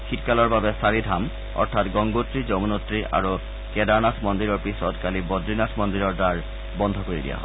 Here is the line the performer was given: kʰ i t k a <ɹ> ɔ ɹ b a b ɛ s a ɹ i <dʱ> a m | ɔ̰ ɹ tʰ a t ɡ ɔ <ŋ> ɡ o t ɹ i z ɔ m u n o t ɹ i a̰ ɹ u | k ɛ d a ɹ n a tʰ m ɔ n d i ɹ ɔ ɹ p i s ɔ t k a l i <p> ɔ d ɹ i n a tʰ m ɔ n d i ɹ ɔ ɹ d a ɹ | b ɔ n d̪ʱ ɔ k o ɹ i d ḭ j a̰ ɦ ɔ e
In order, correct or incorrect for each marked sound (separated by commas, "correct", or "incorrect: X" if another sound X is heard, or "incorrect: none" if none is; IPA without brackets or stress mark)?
incorrect: l, correct, correct, incorrect: b